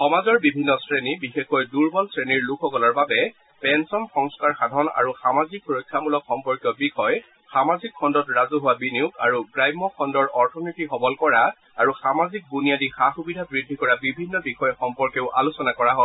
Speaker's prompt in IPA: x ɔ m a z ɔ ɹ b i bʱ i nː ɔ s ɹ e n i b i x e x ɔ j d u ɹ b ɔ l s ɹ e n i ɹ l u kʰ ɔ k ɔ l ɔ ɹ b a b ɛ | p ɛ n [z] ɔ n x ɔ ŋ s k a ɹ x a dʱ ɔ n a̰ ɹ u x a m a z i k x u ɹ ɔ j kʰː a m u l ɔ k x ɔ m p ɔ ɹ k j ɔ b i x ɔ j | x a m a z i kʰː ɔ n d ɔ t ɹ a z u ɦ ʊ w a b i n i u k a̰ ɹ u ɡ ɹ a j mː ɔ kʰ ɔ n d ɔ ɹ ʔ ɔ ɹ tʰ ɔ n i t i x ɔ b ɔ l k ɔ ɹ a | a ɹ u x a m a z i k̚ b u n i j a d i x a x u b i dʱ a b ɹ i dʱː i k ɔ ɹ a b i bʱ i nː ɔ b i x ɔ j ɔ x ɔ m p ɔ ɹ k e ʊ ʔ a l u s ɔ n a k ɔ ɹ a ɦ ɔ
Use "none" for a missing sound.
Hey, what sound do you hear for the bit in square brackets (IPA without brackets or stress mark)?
s